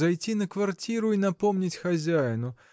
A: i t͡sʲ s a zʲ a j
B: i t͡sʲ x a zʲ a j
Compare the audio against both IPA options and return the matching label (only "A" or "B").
B